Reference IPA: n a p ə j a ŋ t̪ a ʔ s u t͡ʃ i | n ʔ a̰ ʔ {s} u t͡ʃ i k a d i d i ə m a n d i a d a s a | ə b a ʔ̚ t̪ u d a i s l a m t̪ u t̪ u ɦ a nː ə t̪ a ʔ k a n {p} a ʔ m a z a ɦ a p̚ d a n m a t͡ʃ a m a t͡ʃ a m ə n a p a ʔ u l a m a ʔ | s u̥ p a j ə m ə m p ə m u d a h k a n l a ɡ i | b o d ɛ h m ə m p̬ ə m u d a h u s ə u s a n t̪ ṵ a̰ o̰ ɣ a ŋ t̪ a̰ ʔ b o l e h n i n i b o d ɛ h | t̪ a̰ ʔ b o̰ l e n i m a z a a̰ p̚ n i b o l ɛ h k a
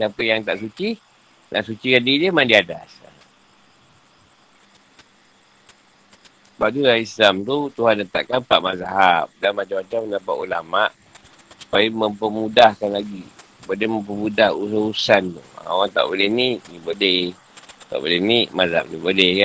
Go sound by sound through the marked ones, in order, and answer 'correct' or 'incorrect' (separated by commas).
correct, correct